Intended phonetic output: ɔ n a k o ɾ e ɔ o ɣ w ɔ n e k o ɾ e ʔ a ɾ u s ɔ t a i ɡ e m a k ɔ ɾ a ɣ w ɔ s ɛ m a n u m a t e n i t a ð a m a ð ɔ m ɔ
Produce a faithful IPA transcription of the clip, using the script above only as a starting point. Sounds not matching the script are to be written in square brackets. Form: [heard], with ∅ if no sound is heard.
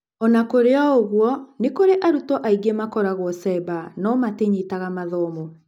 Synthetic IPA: ɔ n a k o ɾ e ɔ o ɣ w ɔ n e k o ɾ e ʔ a ɾ u [t] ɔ [ʔ] a i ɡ e m a k ɔ ɾ a ɣ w ɔ s ɛ [b] a n [ɔ] m a t e [ɲ] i t a [ɣ] a m a ð ɔ m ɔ